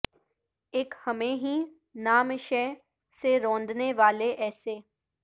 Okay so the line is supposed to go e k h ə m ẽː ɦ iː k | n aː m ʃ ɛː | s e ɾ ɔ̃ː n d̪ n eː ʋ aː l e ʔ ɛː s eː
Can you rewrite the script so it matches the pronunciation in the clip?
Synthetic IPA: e k h ə m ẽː ɦ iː | n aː m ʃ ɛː | s e ɾ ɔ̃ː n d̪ n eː ʋ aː l e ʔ ɛː s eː